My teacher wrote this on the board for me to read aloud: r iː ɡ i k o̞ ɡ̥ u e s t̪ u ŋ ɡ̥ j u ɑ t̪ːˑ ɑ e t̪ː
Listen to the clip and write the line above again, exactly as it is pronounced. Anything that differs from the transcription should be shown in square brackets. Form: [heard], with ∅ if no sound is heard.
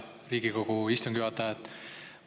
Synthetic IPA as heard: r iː ɡ i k o̞ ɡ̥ u [i] s t̪ u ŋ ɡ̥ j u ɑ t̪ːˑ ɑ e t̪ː